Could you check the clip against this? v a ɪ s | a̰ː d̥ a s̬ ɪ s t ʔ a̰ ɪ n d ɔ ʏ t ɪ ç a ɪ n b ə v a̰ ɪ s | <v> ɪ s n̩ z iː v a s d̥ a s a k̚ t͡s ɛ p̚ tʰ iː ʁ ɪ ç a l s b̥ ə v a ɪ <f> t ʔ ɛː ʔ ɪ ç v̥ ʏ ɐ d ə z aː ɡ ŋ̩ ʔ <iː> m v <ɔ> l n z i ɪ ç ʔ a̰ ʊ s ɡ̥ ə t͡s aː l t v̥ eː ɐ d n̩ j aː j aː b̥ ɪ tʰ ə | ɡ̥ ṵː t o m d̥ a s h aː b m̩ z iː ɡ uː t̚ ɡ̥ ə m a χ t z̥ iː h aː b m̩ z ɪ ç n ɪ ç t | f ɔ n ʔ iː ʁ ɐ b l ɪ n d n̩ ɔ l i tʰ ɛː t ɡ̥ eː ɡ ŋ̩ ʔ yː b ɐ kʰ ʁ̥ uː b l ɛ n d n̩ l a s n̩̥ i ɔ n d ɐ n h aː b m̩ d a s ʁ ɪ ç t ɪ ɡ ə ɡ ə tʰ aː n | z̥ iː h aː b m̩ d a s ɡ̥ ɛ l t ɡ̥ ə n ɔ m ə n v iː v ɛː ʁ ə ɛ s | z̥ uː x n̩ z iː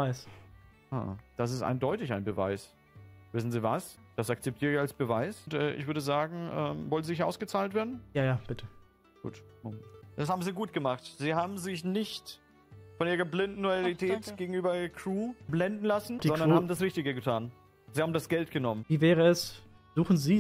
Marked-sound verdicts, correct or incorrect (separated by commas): correct, incorrect, incorrect, correct